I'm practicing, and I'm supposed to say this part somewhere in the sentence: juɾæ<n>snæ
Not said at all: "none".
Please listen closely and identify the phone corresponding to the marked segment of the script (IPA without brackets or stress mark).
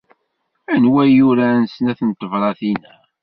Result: n